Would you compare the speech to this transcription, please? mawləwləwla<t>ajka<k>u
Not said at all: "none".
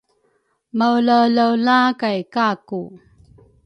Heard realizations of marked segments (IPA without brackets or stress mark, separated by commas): k, k